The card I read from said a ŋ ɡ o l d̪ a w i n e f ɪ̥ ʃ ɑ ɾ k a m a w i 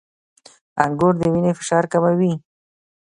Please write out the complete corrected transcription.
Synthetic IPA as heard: a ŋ ɡ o ɾ d̪ ə w i n e f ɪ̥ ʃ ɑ ɾ k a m a w i